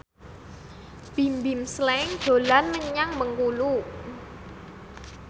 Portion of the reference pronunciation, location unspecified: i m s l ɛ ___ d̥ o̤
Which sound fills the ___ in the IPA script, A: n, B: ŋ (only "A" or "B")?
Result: B